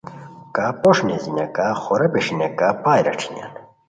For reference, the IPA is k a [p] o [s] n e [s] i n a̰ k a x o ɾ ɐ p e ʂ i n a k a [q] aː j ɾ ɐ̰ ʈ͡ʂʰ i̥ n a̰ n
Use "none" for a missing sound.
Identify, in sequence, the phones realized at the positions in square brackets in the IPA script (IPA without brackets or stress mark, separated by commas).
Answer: p, ʂ, z, p